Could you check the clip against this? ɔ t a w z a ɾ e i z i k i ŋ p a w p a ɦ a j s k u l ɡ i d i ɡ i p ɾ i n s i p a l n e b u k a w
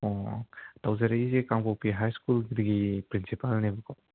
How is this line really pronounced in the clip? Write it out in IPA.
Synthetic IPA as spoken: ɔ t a w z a ɾ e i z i k a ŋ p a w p i ɦ a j s k u l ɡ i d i ɡ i p ɾ i n s i p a l n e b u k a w

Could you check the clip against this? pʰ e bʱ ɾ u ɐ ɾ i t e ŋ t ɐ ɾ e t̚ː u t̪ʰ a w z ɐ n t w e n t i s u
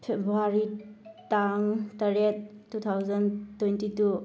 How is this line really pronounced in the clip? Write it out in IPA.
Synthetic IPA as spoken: pʰ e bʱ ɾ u a ɾ i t a ŋ t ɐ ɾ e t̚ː u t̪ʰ a w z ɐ n t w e n t i t u

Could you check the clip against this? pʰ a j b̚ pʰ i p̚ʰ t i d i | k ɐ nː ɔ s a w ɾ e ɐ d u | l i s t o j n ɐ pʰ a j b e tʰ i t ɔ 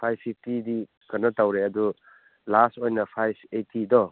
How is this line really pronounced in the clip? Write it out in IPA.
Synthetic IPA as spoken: pʰ a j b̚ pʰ i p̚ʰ t i d i | k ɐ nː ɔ t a w ɾ e ɐ d u | l a s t o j n ɐ pʰ a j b e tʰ i d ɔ

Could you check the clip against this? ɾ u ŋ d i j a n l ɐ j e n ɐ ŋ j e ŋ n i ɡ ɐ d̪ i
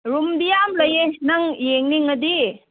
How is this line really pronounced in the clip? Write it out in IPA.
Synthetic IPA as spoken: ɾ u m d i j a m l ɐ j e n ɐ ŋ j e ŋ n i ŋ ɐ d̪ i

